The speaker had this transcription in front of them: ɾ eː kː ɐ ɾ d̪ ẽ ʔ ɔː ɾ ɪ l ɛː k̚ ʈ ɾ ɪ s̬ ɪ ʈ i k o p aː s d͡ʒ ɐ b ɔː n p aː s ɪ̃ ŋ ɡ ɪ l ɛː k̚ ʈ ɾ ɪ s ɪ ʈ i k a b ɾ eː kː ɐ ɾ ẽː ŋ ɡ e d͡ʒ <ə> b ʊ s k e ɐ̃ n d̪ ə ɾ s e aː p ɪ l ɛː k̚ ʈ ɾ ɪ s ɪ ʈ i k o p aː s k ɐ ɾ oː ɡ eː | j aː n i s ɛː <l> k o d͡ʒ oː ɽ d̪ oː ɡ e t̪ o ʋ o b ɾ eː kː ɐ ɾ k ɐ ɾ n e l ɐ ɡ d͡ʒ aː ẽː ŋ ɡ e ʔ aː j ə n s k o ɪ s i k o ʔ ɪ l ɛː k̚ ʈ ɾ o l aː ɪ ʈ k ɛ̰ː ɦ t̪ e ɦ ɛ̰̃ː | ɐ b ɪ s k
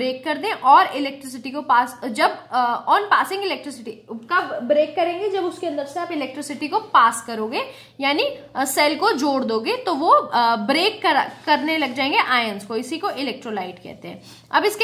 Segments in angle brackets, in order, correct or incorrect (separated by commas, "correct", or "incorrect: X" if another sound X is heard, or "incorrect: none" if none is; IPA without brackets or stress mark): incorrect: ɐ, correct